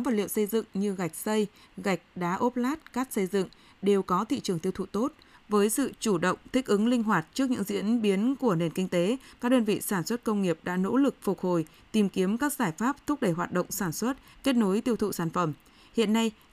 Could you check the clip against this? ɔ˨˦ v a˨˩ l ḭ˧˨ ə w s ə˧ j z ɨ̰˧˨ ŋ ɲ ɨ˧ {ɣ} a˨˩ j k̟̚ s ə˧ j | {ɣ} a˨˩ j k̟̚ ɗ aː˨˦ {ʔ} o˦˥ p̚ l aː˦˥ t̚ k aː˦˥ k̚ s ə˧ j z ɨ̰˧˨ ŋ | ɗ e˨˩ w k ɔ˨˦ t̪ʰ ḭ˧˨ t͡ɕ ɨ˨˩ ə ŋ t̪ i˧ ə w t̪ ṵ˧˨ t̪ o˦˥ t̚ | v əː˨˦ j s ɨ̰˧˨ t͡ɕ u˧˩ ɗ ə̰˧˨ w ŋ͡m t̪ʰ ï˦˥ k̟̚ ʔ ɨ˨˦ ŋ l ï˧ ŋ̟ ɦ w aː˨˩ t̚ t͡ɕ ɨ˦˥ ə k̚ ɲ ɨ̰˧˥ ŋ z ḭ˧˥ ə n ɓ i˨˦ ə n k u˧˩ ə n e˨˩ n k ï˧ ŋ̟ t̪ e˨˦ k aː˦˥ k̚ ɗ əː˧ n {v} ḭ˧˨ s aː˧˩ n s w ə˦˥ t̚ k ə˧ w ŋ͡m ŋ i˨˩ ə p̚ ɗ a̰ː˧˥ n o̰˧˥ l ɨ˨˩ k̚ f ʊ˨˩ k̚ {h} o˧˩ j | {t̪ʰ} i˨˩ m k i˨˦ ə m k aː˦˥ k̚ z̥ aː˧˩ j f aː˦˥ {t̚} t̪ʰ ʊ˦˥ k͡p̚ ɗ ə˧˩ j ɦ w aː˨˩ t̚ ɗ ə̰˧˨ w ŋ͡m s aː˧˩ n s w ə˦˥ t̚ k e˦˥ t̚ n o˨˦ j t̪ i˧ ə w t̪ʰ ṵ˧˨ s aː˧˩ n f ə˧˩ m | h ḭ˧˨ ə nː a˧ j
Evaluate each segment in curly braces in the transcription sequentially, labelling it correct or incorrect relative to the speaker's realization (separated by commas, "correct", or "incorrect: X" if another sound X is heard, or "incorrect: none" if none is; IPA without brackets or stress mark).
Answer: correct, correct, correct, correct, correct, incorrect: t̪, incorrect: p̚